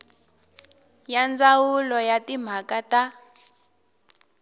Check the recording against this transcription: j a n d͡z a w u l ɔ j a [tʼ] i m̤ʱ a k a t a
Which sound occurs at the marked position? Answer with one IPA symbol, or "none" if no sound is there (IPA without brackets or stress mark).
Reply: t